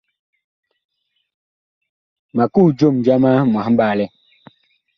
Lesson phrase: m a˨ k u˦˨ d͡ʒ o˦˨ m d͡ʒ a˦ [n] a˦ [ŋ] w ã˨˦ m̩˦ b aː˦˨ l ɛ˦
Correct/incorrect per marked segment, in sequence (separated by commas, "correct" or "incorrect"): incorrect, incorrect